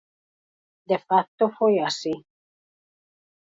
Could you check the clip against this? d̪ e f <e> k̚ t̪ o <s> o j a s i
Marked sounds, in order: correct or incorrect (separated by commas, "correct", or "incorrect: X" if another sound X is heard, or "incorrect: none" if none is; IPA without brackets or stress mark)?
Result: incorrect: a, incorrect: f